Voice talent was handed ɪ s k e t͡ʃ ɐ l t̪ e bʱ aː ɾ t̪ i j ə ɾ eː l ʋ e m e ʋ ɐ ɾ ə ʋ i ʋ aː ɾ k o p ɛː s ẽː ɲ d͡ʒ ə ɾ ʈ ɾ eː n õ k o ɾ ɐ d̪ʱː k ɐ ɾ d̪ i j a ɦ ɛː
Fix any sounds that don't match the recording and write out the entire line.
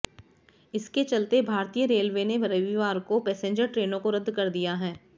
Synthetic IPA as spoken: ɪ s k e t͡ʃ ɐ l t̪ e bʱ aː ɾ t̪ i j ə ɾ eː l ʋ e n e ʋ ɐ ɾ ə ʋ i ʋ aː ɾ k o p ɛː s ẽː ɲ d͡ʒ ə ɾ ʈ ɾ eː n õ k o ɾ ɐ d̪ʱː k ɐ ɾ d̪ i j a ɦ ɛː

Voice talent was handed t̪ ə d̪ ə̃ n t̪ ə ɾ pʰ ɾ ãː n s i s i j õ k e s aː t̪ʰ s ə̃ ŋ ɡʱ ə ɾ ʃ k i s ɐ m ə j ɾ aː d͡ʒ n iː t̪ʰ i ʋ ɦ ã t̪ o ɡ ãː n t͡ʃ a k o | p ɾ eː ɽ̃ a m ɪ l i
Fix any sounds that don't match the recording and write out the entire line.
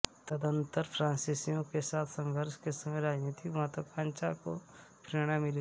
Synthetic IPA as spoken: t̪ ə d̪ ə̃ n t̪ ə ɾ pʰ ɾ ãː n s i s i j õ k e s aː t̪ʰ s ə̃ ŋ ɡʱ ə ɾ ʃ k e s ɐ m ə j ɾ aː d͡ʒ n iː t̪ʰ i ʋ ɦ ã t̪ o k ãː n t͡ʃ a k o | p ɾ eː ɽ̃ a m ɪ l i

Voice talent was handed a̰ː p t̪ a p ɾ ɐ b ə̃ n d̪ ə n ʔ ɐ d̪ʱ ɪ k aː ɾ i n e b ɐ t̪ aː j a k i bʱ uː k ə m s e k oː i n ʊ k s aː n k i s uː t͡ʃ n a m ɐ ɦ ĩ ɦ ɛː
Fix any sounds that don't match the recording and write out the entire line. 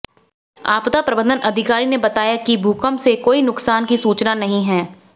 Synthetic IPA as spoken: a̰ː p t̪ a p ɾ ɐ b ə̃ n d̪ ə n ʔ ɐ d̪ʱ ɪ k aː ɾ i n e b ɐ t̪ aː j a k i bʱ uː k ə m s e k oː i n ʊ k s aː n k i s uː t͡ʃ n a n ɐ ɦ ĩ ɦ ɛː

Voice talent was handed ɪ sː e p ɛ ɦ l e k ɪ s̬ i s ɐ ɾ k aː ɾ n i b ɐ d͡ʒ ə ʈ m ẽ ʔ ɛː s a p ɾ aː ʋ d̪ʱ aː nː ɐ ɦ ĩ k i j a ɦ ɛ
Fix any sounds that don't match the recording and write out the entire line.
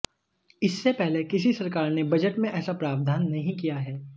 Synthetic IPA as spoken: ɪ sː e p ɛ ɦ l e k ɪ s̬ i s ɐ ɾ k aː ɾ n e b ɐ d͡ʒ ə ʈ m ẽ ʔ ɛː s a p ɾ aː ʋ d̪ʱ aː nː ɐ ɦ ĩ k i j a ɦ ɛː

